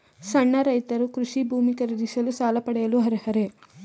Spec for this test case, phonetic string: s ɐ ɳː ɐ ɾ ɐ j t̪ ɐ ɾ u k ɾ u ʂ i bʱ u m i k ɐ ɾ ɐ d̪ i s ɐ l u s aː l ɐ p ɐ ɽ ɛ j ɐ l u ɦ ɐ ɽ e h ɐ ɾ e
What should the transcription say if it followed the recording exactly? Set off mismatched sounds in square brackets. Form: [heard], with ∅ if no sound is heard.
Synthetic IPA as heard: s ɐ ɳː ɐ ɾ ɐ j t̪ ɐ ɾ u k ɾ u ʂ i bʱ [uː] m i k ɐ ɾ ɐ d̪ i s ɐ l u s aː l ɐ p ɐ ɽ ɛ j ɐ l u ɦ ɐ [ɾ] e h ɐ ɾ e